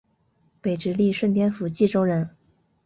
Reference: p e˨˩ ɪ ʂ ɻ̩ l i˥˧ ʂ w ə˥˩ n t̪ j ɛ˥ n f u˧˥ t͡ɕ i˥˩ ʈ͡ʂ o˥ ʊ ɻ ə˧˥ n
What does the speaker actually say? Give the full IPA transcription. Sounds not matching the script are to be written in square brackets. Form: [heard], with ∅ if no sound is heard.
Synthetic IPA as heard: p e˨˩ ɪ [ʈ͡ʂ] ɻ̩ l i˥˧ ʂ w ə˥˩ n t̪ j ɛ˥ n f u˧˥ t͡ɕ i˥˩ ʈ͡ʂ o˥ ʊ ɻ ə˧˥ n